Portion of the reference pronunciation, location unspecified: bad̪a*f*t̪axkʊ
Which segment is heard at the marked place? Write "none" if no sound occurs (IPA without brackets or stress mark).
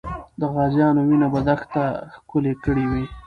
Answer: x